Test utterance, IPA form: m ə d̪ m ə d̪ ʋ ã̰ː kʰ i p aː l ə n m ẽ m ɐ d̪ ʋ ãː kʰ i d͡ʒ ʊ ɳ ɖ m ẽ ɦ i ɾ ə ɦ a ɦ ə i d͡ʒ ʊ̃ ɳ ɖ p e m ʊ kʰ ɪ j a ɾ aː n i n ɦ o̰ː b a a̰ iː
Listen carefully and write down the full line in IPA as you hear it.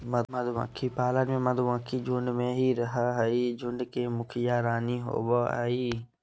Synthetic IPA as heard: m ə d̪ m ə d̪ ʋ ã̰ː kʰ i p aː l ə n m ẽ m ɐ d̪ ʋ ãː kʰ i d͡ʒ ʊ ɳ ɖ m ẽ ɦ i ɾ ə ɦ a ɦ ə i d͡ʒ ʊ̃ ɳ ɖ k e m ʊ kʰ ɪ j a ɾ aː n i ɦ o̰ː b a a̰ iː